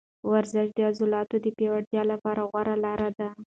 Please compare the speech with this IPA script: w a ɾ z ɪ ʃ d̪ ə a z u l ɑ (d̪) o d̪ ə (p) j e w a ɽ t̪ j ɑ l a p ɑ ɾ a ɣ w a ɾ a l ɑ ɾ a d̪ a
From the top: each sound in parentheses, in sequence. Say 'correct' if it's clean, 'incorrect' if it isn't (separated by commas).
incorrect, correct